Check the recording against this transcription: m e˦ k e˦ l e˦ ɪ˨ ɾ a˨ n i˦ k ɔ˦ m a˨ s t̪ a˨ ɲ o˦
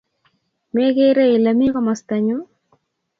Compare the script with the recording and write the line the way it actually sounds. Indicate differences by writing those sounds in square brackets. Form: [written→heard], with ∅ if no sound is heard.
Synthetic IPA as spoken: m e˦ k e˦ [l→ɾ] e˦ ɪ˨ [ɾ→l] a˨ [n→m] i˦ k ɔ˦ m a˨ s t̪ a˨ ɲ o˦